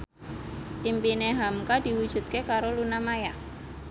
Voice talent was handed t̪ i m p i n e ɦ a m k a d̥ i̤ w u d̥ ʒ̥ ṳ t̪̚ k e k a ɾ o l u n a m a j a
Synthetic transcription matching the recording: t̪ i m p i n e ɦ a m k a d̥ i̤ w u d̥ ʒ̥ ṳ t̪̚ k e k a ɾ o l u n a m a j a